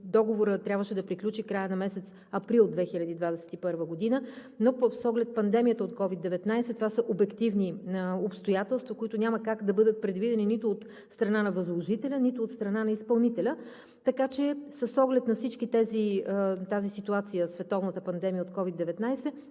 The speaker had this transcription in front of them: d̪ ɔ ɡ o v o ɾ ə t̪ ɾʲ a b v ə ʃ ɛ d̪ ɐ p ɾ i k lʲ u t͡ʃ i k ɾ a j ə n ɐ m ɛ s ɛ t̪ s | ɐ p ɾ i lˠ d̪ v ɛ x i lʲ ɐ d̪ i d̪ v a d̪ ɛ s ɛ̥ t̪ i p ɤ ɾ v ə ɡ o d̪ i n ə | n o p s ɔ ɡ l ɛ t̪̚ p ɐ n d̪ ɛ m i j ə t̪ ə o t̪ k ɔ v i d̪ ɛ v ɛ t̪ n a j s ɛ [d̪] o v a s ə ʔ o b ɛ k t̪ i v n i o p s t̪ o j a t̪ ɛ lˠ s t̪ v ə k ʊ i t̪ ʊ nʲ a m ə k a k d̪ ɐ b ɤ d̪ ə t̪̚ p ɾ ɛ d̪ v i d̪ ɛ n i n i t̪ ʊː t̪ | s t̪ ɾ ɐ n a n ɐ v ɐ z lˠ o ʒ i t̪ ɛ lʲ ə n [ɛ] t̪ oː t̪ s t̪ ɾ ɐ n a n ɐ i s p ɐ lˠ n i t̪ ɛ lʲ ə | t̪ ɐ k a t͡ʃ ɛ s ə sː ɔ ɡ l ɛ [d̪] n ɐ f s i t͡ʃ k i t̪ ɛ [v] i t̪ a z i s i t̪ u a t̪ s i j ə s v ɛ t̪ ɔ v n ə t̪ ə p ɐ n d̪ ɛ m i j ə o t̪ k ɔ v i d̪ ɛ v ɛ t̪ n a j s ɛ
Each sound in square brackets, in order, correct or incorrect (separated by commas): incorrect, incorrect, incorrect, incorrect